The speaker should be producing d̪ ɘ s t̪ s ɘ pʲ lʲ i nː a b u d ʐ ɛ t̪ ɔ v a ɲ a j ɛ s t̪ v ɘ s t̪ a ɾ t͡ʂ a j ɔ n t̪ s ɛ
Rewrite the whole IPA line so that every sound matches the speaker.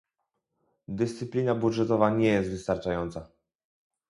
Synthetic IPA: d̪ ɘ s t̪ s ɘ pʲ lʲ i n a b u d ʐ ɛ t̪ ɔ v a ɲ ɛ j ɛ s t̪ v ɘ s t̪ a ɾ t͡ʂ a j ɔ n t̪ s a

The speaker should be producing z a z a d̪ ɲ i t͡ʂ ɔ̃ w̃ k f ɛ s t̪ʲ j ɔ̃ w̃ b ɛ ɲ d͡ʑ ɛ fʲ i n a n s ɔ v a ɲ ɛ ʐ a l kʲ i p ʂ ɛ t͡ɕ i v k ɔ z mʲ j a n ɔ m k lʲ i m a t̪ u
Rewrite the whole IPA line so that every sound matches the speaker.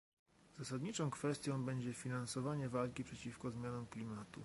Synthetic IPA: z a s a d̪ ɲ i t͡ʂ ɔ̃ w̃ k f ɛ s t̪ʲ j ɔ̃ w̃ b ɛ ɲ d͡ʑ ɛ fʲ i n a n s ɔ v a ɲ ɛ v a l kʲ i p ʂ ɛ t͡ɕ i f k ɔ z mʲ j a n ɔ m k lʲ i m a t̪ u

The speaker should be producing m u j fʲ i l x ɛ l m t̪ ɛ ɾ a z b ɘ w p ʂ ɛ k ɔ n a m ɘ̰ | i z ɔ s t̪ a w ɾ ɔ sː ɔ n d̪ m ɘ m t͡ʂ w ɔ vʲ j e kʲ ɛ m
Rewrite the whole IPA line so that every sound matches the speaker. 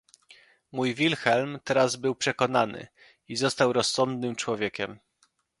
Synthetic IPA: m u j vʲ i l x ɛ l m t̪ ɛ ɾ a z b ɘ w p ʂ ɛ k ɔ n a n ɘ̰ | i z ɔ s t̪ a w ɾ ɔ sː ɔ n d̪ n ɘ m t͡ʂ w ɔ vʲ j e kʲ ɛ m

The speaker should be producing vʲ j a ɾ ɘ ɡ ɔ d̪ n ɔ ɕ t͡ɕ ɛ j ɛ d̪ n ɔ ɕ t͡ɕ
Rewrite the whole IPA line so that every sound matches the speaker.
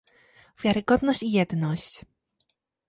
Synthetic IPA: vʲ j a ɾ ɘ ɡ ɔ d̪ n ɔ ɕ t͡ɕ i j ɛ d̪ n ɔ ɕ t͡ɕ

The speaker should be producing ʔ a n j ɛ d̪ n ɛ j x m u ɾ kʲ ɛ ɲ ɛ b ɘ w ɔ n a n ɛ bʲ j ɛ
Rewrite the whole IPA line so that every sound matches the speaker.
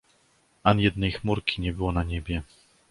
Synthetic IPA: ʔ a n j ɛ d̪ n ɛ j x m u ɾ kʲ i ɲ ɛ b ɘ w ɔ n a ɲ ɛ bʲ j ɛ

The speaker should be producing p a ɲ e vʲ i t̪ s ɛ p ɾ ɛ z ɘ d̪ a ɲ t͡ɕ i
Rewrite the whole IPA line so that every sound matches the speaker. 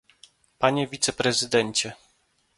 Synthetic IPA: p a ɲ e vʲ i t̪ s ɛ p ɾ ɛ z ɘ d̪ ɛ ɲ t͡ɕ ɛ

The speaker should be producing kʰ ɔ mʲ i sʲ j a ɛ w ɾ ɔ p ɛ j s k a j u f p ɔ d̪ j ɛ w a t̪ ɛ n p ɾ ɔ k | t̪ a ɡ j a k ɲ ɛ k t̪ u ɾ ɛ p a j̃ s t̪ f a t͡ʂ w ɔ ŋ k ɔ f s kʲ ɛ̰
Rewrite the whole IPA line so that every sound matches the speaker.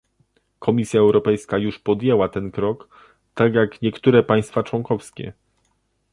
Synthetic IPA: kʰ ɔ mʲ i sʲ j a ɛ w ɾ ɔ p ɛ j s k a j u ʂ p ɔ d̪ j ɛ w a t̪ ɛ n k ɾ ɔ k | t̪ a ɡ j a k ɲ ɛ k t̪ u ɾ ɛ p a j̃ s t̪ f a t͡ʂ w ɔ ŋ k ɔ f s kʲ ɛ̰

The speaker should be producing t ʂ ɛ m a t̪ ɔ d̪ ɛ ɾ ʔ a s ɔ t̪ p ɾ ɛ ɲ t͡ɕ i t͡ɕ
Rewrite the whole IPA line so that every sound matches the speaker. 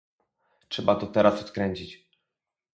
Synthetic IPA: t ʂ ɛ b a t̪ ɔ t̪ ɛ ɾ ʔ a s ɔ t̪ k ɾ ɛ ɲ t͡ɕ i t͡ɕ

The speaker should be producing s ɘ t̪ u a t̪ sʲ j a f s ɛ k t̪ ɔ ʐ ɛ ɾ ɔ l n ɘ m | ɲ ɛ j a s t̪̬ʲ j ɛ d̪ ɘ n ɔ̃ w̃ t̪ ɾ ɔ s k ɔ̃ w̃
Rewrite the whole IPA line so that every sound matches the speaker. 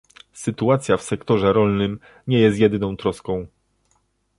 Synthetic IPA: s ɘ t̪ u a t̪ sʲ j a f s ɛ k t̪ ɔ ʐ ɛ ɾ ɔ l n ɘ m | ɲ ɛ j ɛ s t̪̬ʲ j ɛ d̪ ɘ n ɔ̃ w̃ t̪ ɾ ɔ s k ɔ̃ w̃

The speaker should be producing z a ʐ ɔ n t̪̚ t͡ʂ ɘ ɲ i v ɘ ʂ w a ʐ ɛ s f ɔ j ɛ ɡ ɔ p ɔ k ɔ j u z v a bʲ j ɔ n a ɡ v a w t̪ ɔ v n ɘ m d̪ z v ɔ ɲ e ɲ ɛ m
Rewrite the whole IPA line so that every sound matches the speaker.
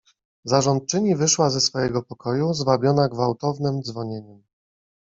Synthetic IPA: z a ʐ ɔ n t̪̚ t͡ʂ ɘ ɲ i v ɘ ʂ w a z ɛ s f ɔ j ɛ ɡ ɔ p ɔ k ɔ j u z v a bʲ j ɔ n a ɡ v a w t̪ ɔ v n ɘ m d̪ z v ɔ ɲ e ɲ ɛ m

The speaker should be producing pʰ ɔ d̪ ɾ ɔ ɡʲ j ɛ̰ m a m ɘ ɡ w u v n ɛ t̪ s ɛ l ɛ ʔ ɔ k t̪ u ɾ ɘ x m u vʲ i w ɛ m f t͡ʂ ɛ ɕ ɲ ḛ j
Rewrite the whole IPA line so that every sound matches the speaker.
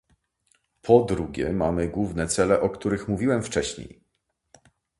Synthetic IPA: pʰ ɔ d̪ ɾ u ɡʲ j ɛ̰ m a m ɘ ɡ w u v n ɛ t̪ s ɛ l ɛ ʔ ɔ k t̪ u ɾ ɘ x m u vʲ i w ɛ m f t͡ʂ ɛ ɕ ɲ ḛ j

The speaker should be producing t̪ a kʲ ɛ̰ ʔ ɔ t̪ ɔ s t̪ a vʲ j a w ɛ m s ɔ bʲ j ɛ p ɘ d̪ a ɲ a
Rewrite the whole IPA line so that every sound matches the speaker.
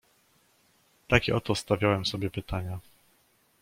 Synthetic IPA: t̪ a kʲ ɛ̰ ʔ ɔ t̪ ɔ s t̪ a vʲ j a w ɛ m s ɔ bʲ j ɛ p ɘ t̪ a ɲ a

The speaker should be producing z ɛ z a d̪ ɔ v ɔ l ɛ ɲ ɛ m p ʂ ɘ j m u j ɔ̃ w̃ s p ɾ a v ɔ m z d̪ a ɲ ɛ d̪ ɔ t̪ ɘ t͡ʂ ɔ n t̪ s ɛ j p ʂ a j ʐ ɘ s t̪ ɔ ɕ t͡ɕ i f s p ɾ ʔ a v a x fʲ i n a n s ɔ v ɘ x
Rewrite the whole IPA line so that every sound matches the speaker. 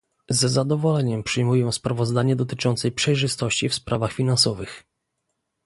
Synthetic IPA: z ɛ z a d̪ ɔ v ɔ l ɛ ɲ ɛ m p ʂ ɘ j m u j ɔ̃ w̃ s p ɾ a v ɔ z d̪ a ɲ ɛ d̪ ɔ t̪ ɘ t͡ʂ ɔ n t̪ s ɛ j p ʂ ɛ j ʐ ɘ s t̪ ɔ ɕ t͡ɕ i f s p ɾ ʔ a v a x fʲ i n a n s ɔ v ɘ x

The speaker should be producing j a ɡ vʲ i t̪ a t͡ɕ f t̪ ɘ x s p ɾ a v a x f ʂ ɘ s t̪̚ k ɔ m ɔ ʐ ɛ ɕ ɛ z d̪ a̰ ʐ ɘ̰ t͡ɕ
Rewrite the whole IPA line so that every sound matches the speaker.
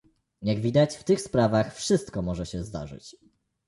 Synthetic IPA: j a ɡ vʲ i d̪ a t͡ɕ f t̪ ɘ x s p ɾ a v a x f ʂ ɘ s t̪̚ k ɔ m ɔ ʐ ɛ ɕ ɛ z d̪ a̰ ʐ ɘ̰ t͡ɕ

